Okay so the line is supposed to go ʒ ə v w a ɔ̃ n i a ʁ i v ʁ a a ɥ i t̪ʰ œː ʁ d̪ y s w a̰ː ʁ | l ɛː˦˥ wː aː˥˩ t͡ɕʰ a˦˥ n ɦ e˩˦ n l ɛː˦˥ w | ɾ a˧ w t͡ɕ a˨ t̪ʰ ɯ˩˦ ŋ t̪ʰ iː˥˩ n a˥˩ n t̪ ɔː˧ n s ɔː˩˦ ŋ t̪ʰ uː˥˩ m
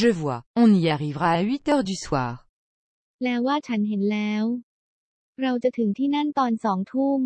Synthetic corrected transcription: ʒ ə v w a ɔ̃ n i a ʁ i v ʁ a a ɥ i t̪ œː ʁ d̪ y s w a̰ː ʁ | l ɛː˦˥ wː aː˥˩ t͡ɕʰ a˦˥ n ɦ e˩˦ n l ɛː˦˥ w | ɾ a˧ w t͡ɕ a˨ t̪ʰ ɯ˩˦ ŋ t̪ʰ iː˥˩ n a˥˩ n t̪ ɔː˧ n s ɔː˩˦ ŋ t̪ʰ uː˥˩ m